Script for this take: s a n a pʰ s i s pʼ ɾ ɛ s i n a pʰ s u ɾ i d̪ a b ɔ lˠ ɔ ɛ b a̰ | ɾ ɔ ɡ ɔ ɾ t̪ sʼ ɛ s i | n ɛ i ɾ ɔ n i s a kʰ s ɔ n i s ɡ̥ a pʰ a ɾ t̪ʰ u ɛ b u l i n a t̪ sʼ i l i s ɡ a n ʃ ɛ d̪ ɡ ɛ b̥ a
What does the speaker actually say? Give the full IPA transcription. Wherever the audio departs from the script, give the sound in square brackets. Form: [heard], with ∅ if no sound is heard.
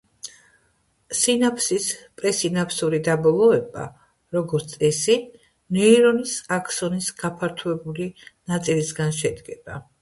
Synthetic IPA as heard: s [i] n a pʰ s i s pʼ ɾ ɛ s i n a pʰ s u ɾ i d̪ a b ɔ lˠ ɔ ɛ b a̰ | ɾ ɔ ɡ ɔ ɾ t̪ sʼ ɛ s i | n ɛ i ɾ ɔ n i s a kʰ s ɔ n i s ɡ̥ a pʰ a ɾ t̪ʰ u ɛ b u l i n a t̪ sʼ i l i s ɡ a n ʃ ɛ d̪ ɡ ɛ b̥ a